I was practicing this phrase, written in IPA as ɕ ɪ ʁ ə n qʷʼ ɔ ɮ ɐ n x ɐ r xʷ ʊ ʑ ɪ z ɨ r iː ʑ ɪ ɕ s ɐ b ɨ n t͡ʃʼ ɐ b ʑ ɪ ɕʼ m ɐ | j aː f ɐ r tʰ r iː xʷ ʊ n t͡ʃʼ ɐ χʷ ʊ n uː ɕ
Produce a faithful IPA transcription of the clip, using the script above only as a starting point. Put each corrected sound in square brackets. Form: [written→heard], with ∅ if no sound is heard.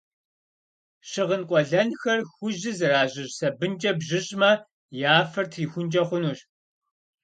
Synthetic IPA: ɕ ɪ ʁ ə n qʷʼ ɔ ɮ ɐ n x ɐ r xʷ ʊ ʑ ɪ z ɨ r [iː→aː] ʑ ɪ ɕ s ɐ b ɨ n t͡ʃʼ ɐ b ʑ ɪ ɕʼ m ɐ | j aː f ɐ r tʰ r iː xʷ ʊ n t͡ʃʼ ɐ χʷ ʊ n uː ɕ